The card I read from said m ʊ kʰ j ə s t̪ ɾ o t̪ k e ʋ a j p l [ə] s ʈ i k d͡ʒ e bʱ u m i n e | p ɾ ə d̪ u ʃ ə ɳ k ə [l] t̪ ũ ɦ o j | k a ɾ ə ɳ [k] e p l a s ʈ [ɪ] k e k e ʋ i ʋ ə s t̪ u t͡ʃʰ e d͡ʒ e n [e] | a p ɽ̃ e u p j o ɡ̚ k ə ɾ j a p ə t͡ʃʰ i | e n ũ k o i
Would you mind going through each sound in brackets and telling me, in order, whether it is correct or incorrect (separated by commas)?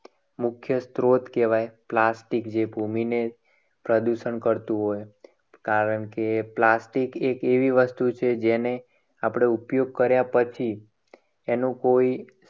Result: incorrect, incorrect, correct, incorrect, correct